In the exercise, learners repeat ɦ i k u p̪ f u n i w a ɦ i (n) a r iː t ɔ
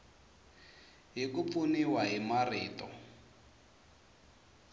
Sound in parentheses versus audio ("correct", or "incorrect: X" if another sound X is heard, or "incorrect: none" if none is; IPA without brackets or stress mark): incorrect: m